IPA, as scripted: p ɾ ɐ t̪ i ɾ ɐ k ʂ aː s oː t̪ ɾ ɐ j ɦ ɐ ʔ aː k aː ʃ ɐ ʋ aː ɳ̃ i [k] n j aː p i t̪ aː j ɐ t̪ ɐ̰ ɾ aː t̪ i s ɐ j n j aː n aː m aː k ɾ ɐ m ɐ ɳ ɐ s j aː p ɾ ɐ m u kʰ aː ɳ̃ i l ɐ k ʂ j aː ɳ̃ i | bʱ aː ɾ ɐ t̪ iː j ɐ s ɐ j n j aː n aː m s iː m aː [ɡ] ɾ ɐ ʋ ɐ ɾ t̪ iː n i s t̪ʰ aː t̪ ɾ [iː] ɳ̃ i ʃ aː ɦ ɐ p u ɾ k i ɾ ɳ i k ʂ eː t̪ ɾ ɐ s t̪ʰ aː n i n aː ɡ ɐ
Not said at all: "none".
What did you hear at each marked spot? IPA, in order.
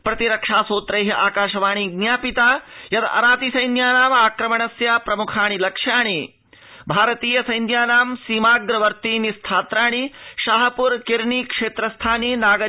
ɡ, ɡ, aː

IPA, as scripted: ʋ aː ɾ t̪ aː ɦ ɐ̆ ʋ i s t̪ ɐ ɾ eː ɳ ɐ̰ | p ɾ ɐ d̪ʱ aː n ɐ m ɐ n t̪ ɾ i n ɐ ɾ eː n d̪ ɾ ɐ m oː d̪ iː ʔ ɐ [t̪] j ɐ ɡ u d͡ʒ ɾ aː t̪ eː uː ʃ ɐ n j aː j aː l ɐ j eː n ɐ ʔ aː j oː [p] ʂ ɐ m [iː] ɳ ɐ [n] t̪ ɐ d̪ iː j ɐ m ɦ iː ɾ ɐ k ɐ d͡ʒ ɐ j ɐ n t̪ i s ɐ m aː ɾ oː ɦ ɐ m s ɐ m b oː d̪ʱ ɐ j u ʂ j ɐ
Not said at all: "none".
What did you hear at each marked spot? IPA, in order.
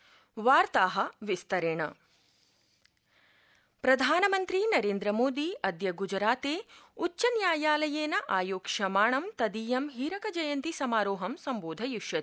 d̪, k, aː, m

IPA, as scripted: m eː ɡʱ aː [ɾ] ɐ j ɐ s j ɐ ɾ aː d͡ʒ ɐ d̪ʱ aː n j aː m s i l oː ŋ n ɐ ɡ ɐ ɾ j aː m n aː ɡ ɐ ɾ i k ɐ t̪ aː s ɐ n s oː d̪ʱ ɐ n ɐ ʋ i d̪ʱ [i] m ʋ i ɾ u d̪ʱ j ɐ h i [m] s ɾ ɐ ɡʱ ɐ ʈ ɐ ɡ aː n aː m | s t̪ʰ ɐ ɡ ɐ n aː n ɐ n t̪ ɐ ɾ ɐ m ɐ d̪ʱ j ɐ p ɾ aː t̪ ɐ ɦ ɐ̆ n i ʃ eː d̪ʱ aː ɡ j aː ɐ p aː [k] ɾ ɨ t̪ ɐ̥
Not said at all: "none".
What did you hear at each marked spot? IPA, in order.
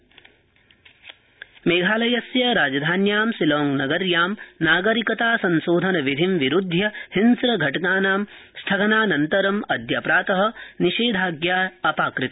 l, i, n, k

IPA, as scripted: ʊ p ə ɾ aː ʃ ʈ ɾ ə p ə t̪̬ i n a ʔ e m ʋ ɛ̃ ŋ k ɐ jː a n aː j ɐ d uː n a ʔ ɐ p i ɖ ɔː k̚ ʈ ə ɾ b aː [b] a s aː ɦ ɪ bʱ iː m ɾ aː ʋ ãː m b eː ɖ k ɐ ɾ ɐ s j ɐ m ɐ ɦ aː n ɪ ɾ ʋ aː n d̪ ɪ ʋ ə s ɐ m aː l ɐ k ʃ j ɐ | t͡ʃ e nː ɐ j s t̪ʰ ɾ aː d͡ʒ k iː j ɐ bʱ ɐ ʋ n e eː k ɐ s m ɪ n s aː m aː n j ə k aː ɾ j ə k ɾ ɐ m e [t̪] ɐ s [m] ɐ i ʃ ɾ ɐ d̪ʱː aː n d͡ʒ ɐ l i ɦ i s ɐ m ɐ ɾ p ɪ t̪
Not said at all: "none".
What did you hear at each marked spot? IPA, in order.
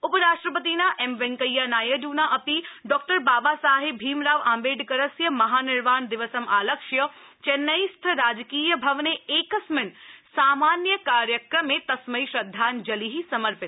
b, t̪, m

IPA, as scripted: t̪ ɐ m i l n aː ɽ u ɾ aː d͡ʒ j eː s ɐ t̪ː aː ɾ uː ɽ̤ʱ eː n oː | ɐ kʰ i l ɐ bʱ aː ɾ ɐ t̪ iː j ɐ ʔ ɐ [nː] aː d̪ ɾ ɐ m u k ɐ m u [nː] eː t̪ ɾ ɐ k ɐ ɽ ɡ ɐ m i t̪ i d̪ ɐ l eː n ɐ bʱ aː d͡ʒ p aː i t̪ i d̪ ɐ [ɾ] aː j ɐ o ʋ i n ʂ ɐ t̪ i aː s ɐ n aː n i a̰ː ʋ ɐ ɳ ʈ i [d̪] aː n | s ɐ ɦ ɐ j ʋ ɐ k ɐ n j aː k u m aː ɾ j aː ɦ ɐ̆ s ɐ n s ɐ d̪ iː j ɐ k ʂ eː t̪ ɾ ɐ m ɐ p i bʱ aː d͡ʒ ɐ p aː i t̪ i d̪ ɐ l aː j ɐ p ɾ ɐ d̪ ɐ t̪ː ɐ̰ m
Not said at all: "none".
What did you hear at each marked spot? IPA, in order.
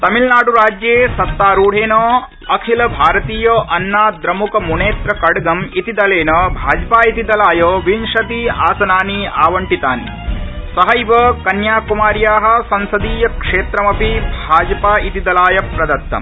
nː, n, l, t̪

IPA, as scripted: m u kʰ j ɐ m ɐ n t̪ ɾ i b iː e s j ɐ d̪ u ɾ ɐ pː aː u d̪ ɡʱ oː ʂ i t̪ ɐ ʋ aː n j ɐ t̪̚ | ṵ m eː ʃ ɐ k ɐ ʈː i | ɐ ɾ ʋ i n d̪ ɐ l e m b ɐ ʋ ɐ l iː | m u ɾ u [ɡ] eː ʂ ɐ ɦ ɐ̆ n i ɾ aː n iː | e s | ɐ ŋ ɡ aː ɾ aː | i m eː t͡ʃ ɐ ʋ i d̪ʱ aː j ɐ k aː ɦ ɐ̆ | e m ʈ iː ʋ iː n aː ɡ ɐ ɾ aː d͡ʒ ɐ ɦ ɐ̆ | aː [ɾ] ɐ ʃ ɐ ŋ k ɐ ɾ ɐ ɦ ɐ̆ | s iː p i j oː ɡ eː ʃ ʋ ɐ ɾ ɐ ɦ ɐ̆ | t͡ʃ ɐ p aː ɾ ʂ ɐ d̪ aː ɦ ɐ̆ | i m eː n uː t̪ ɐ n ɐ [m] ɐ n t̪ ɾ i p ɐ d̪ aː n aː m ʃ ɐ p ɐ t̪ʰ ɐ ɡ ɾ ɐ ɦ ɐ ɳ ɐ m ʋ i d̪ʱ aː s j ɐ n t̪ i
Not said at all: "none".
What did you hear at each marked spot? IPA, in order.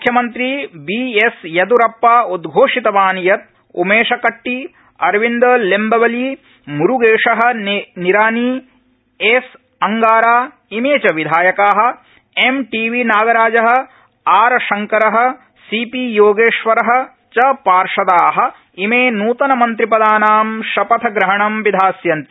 ɡ, ɾ, m

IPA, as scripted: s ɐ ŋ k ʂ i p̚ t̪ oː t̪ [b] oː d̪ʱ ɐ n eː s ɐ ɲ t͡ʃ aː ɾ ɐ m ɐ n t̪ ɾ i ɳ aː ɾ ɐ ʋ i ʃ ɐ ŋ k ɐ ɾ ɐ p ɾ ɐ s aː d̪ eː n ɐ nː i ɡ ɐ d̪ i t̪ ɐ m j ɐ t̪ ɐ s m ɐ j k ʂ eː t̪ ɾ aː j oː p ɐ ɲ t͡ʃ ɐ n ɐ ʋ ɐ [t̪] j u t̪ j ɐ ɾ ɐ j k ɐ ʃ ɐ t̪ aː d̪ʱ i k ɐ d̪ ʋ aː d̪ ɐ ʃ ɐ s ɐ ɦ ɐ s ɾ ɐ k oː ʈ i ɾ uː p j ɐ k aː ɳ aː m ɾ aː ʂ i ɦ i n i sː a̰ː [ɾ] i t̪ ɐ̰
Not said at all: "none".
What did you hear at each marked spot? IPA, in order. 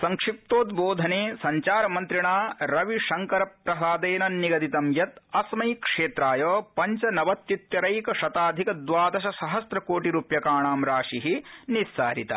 b, t̪, ɾ

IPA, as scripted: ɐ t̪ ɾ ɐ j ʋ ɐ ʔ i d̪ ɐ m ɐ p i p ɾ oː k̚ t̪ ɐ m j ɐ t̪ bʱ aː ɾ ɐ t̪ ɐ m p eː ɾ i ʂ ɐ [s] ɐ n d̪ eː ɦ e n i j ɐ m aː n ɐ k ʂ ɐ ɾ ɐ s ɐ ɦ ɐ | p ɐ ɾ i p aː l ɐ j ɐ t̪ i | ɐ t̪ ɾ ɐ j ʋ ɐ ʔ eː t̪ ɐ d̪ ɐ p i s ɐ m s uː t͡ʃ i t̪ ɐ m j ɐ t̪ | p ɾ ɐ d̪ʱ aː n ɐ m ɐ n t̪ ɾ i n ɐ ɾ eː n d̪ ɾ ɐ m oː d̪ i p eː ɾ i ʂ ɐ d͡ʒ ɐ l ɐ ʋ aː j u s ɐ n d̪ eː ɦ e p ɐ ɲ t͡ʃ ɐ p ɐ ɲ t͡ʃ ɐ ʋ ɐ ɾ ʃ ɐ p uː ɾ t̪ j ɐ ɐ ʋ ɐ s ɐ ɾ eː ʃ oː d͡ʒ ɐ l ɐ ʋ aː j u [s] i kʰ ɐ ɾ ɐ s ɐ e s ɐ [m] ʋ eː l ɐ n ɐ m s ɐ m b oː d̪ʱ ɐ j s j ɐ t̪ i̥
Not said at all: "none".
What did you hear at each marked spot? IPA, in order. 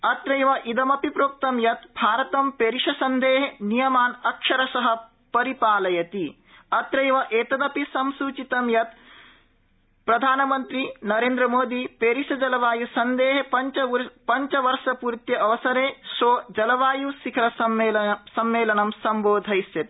s, s, m

